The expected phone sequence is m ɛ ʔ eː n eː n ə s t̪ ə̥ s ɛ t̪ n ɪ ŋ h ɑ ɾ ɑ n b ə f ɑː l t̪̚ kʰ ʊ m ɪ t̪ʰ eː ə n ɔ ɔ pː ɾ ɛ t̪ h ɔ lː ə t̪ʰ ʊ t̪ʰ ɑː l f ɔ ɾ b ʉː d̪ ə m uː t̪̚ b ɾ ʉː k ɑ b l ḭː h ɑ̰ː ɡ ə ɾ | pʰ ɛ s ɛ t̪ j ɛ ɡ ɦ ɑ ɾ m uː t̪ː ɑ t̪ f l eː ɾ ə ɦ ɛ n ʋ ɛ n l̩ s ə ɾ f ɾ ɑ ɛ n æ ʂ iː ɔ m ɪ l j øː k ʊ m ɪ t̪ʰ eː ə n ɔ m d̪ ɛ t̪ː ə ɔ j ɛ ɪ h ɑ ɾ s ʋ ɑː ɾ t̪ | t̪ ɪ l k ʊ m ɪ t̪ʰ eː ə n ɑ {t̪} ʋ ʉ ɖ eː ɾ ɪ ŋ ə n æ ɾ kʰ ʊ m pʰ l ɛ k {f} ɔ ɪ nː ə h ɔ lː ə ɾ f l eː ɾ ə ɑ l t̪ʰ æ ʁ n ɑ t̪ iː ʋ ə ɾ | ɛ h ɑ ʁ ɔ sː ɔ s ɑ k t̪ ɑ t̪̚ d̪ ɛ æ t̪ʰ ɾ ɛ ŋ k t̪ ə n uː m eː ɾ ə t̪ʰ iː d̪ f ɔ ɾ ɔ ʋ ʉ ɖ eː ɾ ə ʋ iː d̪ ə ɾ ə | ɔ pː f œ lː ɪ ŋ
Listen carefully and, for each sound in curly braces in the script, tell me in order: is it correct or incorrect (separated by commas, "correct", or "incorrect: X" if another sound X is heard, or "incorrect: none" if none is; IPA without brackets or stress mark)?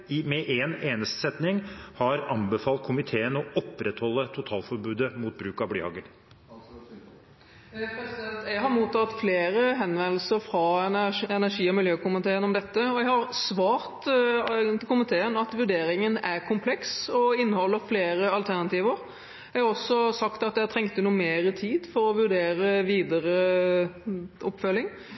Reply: correct, incorrect: s